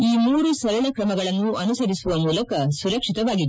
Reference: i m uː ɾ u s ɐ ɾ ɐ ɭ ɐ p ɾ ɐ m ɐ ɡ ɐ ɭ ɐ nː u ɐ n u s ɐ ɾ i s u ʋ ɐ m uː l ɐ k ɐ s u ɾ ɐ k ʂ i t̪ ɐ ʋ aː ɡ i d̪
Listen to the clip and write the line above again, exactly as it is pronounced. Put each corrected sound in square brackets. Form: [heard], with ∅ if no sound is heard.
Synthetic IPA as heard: [iː] m uː ɾ u s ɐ ɾ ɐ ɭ ɐ [k] ɾ ɐ m ɐ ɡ ɐ ɭ ɐ nː u ɐ n u s ɐ ɾ i s u ʋ ɐ m uː l ɐ k ɐ s u ɾ ɐ k ʂ i t̪ ɐ ʋ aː ɡ i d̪

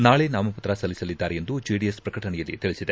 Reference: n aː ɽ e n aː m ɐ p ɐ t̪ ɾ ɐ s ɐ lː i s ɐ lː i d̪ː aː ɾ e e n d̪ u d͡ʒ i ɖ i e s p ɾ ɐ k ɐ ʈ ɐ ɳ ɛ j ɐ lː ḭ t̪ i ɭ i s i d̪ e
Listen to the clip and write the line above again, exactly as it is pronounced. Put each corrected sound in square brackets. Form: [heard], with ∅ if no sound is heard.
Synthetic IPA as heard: n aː [ɭ] e n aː m ɐ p ɐ t̪ ɾ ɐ s ɐ lː i s ɐ [l] i d̪ː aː ɾ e e n d̪ u d͡ʒ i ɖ i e s p ɾ ɐ k ɐ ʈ ɐ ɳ ɛ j ɐ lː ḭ t̪ i ɭ i s i d̪ e

